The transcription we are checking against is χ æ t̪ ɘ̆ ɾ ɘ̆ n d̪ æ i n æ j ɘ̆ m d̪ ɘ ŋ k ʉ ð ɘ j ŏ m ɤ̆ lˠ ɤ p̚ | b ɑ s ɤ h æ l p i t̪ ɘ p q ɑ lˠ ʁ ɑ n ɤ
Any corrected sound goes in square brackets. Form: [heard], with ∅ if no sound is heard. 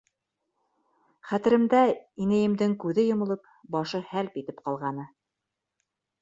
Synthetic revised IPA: χ æ t̪ ɘ̆ ɾ ɘ̆ [m] d̪ æ i n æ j ɘ̆ m d̪ ɘ ŋ k ʉ ð ɘ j ŏ m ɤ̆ lˠ ɤ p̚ | b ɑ [ʃ] ɤ h æ l p i t̪ ɘ p q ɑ lˠ ʁ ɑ n ɤ